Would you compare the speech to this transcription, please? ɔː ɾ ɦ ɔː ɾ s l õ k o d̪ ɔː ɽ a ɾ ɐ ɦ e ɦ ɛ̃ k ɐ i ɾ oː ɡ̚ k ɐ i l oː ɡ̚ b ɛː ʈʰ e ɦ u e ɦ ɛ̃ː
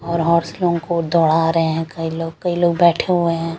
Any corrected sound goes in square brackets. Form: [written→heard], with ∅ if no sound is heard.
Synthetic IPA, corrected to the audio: ɔː ɾ ɦ ɔː ɾ s l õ k o d̪ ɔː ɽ a ɾ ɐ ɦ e ɦ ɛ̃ k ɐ i [ɾ→l] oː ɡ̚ k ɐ i l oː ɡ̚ b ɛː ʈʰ e ɦ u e ɦ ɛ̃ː